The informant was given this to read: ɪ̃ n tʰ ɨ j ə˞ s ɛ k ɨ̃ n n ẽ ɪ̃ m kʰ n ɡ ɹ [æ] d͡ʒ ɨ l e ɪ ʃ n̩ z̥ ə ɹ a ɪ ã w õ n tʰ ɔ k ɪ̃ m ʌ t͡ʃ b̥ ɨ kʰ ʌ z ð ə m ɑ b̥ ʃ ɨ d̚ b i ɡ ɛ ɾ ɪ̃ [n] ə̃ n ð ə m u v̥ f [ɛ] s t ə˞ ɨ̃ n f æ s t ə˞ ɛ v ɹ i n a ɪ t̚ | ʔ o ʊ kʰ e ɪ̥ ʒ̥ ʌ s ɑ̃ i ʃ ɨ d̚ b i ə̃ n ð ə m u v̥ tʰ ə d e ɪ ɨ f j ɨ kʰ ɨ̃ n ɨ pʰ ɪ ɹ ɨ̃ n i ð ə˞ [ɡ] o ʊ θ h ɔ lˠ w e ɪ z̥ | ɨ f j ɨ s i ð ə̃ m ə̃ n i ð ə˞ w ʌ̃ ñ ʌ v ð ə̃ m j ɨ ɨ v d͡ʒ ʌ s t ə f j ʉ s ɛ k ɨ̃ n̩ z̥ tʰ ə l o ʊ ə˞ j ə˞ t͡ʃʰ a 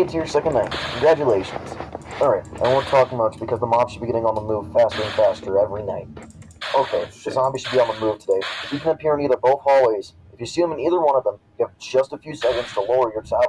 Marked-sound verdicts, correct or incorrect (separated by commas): correct, incorrect, incorrect, incorrect